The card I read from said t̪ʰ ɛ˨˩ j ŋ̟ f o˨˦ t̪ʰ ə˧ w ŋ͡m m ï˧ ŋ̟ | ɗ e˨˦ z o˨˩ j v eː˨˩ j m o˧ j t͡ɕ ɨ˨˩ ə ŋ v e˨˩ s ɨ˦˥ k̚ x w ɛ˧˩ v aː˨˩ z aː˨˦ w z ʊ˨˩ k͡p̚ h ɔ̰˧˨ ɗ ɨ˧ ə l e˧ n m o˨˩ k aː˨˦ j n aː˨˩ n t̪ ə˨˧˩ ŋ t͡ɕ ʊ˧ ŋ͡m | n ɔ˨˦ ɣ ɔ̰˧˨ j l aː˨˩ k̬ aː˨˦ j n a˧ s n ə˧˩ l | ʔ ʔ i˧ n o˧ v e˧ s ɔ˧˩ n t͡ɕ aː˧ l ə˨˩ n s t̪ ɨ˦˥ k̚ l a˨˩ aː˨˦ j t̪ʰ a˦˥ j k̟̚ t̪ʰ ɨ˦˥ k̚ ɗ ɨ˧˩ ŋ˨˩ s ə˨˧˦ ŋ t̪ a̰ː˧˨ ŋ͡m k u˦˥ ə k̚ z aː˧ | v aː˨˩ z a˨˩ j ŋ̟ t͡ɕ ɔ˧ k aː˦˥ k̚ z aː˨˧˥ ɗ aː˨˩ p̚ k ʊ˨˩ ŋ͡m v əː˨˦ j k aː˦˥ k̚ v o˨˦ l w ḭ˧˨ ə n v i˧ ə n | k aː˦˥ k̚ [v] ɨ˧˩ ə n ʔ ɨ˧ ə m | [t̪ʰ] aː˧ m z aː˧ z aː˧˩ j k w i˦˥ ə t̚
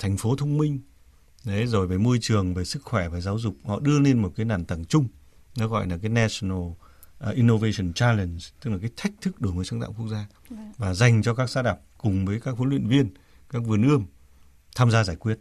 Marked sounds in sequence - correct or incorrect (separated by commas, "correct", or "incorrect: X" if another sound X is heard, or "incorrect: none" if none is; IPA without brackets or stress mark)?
correct, correct